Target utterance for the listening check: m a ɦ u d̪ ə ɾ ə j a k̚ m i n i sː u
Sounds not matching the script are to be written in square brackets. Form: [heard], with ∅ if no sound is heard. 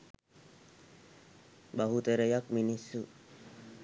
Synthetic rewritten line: [b] a ɦ u [t̪] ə ɾ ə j a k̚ m i n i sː u

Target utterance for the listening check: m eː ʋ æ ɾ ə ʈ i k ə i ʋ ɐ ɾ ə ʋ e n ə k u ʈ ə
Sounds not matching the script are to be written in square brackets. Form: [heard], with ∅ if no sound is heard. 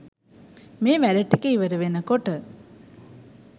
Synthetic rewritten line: m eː ʋ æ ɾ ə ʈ i k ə i ʋ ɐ ɾ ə ʋ e n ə k [o] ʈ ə

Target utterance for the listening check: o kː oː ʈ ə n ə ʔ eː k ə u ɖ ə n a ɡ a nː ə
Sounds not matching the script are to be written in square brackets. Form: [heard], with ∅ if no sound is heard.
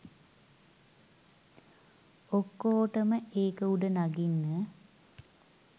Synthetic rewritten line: o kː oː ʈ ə [m] ə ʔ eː k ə u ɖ ə n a ɡ [i] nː ə

